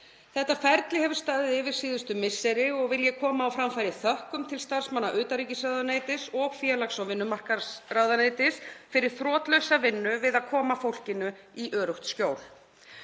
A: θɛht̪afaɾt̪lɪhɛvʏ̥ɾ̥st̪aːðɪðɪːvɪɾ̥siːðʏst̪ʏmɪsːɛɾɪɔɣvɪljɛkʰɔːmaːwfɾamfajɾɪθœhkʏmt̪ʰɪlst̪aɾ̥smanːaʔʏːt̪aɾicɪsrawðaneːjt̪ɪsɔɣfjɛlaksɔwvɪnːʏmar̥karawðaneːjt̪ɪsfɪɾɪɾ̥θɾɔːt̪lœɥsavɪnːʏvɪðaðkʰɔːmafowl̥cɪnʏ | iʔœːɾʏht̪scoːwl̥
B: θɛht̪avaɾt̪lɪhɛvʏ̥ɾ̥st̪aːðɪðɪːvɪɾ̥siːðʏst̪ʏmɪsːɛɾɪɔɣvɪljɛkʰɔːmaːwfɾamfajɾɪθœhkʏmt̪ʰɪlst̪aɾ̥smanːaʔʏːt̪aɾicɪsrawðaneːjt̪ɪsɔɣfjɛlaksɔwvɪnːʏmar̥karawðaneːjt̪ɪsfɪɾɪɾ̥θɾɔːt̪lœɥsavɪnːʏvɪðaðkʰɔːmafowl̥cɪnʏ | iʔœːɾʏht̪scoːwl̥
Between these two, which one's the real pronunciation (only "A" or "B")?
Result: A